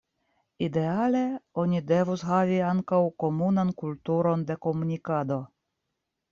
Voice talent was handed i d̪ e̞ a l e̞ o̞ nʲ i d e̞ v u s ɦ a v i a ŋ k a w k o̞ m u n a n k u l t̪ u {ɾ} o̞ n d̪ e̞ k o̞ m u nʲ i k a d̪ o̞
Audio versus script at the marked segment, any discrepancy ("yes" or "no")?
no